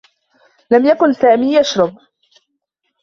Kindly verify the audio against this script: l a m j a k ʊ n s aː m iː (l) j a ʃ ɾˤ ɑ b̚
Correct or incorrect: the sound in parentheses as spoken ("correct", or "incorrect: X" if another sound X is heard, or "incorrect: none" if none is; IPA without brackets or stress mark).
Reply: incorrect: none